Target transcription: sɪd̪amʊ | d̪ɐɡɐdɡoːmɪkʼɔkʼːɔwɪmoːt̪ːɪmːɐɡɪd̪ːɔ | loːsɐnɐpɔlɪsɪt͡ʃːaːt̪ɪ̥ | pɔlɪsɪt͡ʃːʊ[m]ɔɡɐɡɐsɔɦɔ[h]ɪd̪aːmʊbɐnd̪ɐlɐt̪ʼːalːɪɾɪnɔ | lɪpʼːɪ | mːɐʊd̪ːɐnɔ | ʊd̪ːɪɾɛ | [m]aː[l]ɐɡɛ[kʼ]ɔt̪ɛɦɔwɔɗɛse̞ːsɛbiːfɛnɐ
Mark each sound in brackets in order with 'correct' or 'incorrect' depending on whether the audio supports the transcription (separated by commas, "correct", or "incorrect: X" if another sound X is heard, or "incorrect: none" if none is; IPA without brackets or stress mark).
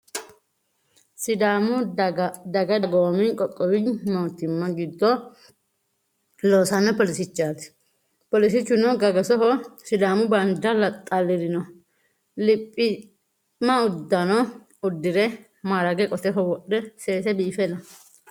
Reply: incorrect: n, incorrect: s, correct, incorrect: ɾ, correct